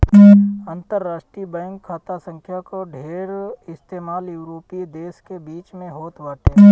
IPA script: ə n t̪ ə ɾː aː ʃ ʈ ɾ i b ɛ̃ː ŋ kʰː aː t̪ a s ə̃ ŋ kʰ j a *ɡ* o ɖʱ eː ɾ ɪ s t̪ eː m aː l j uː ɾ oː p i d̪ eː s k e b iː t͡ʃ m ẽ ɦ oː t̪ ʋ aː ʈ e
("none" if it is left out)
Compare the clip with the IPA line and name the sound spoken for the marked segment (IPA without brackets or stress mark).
k